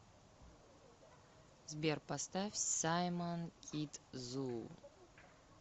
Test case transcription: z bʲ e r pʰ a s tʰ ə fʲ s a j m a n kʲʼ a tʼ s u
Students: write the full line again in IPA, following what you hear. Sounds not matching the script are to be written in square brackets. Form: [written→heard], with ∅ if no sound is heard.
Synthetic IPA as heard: z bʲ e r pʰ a s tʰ [ə→a] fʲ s a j m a n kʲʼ [a→i] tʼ [s→z] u